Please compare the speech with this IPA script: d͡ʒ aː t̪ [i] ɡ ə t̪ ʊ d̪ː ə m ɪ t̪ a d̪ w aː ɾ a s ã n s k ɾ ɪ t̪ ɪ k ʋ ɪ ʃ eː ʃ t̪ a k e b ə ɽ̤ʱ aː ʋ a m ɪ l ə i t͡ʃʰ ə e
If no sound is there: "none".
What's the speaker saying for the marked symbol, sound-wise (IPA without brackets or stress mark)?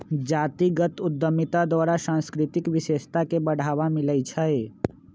i